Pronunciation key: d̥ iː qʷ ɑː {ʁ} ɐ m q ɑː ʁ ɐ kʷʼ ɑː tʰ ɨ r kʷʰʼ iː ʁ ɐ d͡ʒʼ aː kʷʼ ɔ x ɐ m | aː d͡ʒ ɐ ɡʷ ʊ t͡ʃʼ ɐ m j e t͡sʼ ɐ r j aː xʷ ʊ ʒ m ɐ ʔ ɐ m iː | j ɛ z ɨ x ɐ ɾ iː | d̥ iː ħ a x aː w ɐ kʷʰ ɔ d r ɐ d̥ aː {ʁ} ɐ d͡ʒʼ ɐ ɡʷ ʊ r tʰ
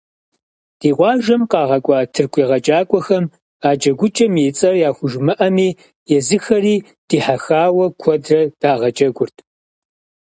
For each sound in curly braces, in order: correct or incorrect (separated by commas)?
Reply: incorrect, correct